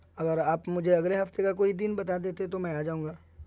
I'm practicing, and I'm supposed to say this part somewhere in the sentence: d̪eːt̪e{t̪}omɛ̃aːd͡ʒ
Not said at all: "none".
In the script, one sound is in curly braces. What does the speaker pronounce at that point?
t̪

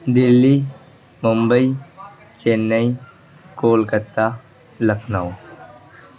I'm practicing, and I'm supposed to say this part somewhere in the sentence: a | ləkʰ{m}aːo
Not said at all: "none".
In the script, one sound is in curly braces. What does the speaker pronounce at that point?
n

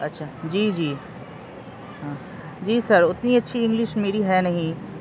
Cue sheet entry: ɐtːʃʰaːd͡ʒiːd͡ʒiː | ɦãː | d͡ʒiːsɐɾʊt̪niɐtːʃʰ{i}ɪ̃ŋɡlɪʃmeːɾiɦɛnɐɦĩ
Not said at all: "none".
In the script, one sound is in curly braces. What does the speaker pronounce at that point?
i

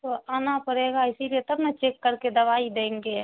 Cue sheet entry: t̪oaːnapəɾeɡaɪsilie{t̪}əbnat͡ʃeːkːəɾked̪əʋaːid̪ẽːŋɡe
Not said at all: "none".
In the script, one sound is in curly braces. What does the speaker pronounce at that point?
t̪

